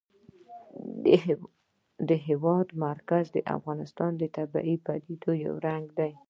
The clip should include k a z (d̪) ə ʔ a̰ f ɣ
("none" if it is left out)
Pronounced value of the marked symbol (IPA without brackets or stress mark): d̪